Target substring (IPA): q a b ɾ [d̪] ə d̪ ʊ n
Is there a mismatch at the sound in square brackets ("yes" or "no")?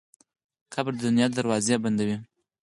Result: no